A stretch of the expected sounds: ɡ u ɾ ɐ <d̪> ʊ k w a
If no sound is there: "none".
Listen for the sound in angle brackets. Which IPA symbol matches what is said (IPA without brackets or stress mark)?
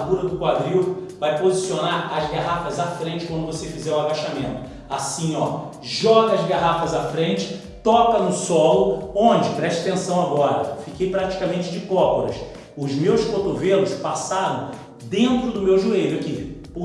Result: d̪